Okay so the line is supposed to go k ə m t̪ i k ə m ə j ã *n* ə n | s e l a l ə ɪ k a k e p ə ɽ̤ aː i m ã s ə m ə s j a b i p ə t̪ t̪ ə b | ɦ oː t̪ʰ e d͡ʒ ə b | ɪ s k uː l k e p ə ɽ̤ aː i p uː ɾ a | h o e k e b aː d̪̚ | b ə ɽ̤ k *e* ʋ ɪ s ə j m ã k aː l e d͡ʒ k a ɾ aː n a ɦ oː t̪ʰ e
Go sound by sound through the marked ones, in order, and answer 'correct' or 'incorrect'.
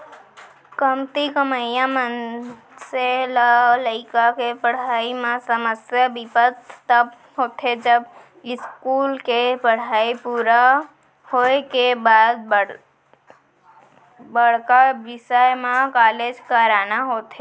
incorrect: m, incorrect: a

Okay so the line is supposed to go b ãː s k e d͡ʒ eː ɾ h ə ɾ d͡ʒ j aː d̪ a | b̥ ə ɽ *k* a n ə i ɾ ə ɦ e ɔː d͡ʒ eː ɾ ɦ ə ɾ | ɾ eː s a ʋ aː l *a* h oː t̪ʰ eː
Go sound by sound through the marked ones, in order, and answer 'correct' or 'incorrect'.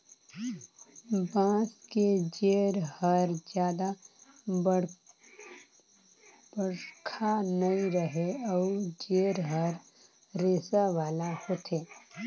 incorrect: kʰ, correct

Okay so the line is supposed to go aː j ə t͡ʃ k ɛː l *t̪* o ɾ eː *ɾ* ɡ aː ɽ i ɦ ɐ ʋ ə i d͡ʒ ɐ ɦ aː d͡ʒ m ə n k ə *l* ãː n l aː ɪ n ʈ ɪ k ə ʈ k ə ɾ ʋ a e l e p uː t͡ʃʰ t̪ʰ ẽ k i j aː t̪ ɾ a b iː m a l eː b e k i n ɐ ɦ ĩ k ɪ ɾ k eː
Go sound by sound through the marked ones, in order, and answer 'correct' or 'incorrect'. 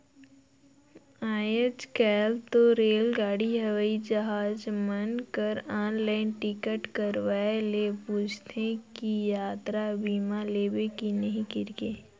correct, incorrect: l, incorrect: ɾ

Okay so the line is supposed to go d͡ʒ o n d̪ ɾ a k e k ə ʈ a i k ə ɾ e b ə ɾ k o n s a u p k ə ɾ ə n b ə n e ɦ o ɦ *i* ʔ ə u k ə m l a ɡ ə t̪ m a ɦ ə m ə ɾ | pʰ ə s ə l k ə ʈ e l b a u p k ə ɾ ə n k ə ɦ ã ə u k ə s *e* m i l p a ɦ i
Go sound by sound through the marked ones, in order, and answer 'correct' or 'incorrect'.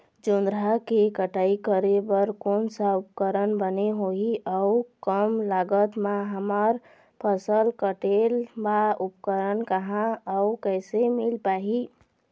correct, correct

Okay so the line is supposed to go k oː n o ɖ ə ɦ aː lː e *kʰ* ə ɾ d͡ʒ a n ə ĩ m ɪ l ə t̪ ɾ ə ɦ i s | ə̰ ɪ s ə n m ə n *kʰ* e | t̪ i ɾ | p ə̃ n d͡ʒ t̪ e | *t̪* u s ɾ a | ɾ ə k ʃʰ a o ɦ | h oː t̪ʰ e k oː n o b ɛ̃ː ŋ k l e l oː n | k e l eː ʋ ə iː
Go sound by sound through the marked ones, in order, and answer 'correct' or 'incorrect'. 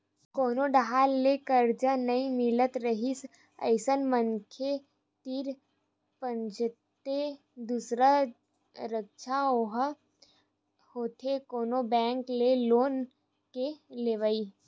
incorrect: k, correct, incorrect: d̪

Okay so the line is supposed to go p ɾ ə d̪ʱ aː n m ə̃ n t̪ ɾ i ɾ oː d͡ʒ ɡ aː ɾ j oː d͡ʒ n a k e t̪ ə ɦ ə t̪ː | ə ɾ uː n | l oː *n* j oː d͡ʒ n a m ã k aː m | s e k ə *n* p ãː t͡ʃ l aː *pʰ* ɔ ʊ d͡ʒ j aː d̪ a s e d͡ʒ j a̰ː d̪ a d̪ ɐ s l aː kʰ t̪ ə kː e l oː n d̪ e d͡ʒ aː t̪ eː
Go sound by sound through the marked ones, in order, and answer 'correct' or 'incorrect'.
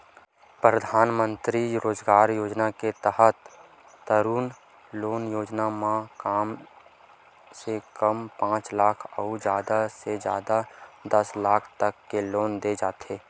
correct, incorrect: m, incorrect: kʰ

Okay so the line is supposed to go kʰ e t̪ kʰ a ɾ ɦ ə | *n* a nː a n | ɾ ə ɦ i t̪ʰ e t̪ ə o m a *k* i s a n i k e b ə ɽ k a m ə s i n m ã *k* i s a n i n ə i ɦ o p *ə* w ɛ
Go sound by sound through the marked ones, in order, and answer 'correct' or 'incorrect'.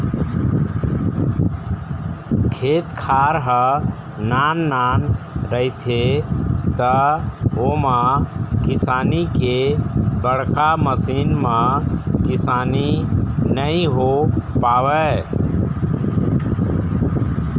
correct, correct, correct, incorrect: a

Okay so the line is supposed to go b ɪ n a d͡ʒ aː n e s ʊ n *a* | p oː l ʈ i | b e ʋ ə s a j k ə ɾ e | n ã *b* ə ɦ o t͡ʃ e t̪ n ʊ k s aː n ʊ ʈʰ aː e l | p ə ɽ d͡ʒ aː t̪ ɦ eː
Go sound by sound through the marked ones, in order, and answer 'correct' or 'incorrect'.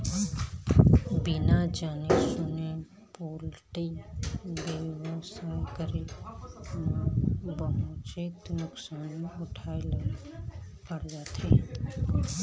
incorrect: e, correct

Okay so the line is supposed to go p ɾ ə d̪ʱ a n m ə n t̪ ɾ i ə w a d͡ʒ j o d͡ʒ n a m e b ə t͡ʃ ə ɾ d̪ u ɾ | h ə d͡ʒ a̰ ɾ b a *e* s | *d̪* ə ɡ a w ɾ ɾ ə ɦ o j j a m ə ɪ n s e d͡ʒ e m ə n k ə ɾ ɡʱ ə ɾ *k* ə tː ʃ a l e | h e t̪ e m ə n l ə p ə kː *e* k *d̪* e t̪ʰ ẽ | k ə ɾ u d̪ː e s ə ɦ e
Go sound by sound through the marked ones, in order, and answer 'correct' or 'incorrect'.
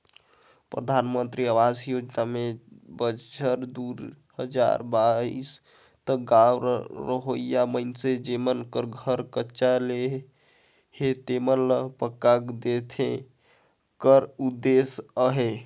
incorrect: i, incorrect: t̪, correct, incorrect: a, correct

